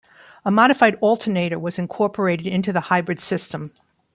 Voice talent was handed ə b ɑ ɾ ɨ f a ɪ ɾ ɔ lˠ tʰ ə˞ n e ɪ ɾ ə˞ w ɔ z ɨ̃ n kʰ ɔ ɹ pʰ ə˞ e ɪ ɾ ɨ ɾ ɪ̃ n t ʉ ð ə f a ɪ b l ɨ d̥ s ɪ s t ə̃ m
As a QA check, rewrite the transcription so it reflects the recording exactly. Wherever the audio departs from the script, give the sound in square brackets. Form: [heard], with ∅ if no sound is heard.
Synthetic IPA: ə [m] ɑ ɾ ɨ f a ɪ ɾ ɔ lˠ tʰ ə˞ n e ɪ ɾ ə˞ w [ʌ] z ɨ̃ n kʰ ɔ ɹ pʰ ə˞ e ɪ ɾ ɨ ɾ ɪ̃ n t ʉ ð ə [h] a ɪ b [ɹ] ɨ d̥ s ɪ s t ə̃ m

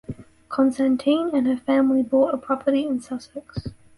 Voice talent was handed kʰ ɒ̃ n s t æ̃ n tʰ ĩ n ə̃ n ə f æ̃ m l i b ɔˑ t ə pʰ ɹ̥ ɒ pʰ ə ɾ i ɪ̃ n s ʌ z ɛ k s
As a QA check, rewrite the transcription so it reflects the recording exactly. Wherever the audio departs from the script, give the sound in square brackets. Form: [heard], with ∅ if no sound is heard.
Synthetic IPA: kʰ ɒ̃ n s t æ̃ n tʰ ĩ n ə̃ n ə f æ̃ m l i b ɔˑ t ə pʰ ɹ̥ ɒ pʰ ə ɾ i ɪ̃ n s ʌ [s] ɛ k s

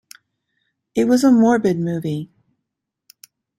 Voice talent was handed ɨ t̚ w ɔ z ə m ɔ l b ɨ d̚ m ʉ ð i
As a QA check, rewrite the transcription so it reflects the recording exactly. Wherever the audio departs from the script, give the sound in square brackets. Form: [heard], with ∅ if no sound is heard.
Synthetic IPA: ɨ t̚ w [ʌ] z ə m ɔ [ɹ] b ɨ d̚ m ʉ [v] i

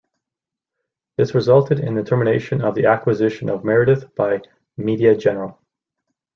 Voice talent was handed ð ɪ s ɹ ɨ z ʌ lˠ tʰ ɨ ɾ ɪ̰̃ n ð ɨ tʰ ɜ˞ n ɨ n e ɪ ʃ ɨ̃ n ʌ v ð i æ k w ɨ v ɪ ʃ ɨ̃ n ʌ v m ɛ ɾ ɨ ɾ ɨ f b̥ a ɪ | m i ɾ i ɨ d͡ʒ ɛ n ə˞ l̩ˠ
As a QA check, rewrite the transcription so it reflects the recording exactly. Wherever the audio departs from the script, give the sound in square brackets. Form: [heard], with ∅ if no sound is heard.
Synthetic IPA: ð ɪ s ɹ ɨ z ʌ lˠ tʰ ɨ ɾ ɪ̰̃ n ð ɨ tʰ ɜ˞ [m] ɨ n e ɪ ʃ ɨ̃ n ʌ v ð i æ k w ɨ [z] ɪ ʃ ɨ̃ n ʌ v m ɛ [ɹ] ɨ ɾ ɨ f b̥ a ɪ | m i ɾ i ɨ d͡ʒ ɛ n ə˞ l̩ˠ

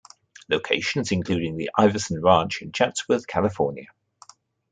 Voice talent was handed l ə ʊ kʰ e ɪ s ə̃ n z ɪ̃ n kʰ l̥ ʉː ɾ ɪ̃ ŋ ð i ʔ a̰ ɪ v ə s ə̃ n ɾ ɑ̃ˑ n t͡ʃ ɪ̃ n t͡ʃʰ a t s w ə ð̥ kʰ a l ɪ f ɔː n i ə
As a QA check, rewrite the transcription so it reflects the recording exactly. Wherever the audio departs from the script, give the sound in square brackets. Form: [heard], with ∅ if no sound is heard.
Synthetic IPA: l ə ʊ kʰ e ɪ [ʃ] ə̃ n z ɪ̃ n kʰ l̥ ʉː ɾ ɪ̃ ŋ ð i ʔ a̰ ɪ v ə s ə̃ n [ɹ] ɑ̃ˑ n t͡ʃ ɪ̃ n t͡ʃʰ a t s w ə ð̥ kʰ a l ɪ f ɔː n [j] ə

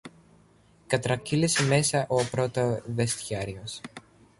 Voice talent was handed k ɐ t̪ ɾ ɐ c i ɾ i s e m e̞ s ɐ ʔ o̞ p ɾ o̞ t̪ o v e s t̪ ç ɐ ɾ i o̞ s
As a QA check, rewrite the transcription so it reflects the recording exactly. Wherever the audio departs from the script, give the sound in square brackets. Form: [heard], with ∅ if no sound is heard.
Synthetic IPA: k ɐ t̪ ɾ ɐ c i [l] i s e m e̞ s ɐ ʔ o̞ p ɾ o̞ t̪ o [ð] e s t̪ ç ɐ ɾ i o̞ s

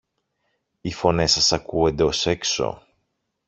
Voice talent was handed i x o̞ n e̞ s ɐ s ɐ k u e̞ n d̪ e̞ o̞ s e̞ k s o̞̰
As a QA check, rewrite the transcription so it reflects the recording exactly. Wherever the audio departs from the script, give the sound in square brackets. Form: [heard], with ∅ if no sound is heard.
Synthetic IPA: i [f] o̞ n e̞ s ɐ s ɐ k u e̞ n d̪ e̞ o̞ s e̞ k s o̞̰

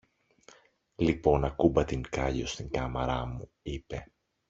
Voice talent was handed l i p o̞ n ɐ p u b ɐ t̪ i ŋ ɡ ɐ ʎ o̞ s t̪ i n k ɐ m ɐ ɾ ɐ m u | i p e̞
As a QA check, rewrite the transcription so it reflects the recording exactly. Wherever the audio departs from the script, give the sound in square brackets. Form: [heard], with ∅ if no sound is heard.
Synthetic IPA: l i p o̞ n ɐ [k] u b ɐ t̪ i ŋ [k] ɐ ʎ o̞ s t̪ i [ŋ] k ɐ m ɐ ɾ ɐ m u | i p e̞

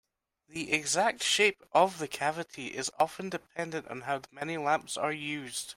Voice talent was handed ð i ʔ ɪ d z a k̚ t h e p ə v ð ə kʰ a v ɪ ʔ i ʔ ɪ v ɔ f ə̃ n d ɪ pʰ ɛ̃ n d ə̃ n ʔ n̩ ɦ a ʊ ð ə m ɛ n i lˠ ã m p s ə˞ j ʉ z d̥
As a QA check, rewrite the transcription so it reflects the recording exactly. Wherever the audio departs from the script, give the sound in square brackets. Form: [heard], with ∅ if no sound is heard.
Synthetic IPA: ð i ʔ ɪ [ɡ] z a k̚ t [ʃ] e p ə v ð ə kʰ a v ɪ ʔ i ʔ ɪ [z] ɔ f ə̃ n d ɪ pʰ ɛ̃ n d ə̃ n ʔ n̩ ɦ a ʊ ð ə m ɛ n i lˠ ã m p s ə˞ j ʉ z d̥

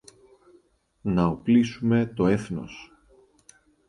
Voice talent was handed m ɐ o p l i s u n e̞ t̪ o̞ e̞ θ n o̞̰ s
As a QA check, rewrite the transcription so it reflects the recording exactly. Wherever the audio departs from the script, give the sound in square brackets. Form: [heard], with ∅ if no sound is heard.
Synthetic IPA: [n] ɐ o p l i s u [m] e̞ t̪ o̞ e̞ θ n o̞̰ s

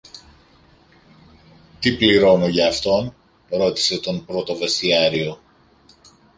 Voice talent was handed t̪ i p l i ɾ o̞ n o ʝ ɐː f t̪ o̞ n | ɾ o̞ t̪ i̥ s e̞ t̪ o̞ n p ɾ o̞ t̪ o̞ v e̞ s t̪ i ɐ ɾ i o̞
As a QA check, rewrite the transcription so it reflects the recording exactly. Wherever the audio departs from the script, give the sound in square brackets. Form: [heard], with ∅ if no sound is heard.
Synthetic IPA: t̪ i p l i ɾ o̞ n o ʝ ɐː f t̪ o̞ n | ɾ o̞ t̪ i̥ s e̞ t̪ o̞ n p ɾ o̞ t̪ o̞ v e̞ s t̪ i ɐ ɾ i o̞

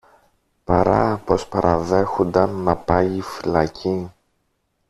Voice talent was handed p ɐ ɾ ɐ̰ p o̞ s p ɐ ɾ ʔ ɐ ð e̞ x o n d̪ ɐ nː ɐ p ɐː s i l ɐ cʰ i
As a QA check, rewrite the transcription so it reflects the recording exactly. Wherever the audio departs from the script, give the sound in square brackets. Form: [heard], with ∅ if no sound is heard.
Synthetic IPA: p ɐ ɾ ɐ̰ p o̞ s p ɐ ɾ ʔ ɐ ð e̞ x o n d̪ ɐ nː ɐ p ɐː [f] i l ɐ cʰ i

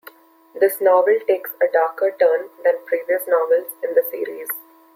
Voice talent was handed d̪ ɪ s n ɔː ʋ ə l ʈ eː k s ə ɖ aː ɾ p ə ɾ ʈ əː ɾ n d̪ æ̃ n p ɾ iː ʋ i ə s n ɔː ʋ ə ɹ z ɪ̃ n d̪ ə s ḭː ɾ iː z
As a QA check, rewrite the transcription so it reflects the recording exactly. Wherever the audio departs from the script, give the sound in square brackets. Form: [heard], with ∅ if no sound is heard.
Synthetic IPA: d̪ ɪ s n ɔː ʋ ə l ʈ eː k s ə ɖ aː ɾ [k] ə ɾ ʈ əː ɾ n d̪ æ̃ n p ɾ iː ʋ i ə s n ɔː ʋ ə [l] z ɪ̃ n d̪ ə s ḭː ɾ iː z

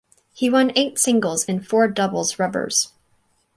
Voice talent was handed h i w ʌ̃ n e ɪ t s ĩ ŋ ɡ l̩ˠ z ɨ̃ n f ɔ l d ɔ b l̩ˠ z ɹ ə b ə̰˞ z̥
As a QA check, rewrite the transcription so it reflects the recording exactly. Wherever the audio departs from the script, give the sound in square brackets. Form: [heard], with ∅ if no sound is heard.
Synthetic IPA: h i w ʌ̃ n e ɪ t s [ɪ̃] ŋ ɡ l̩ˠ z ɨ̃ n f ɔ [ɹ] d [ʌ] b l̩ˠ z ɹ [ʌ] b ə̰˞ z̥

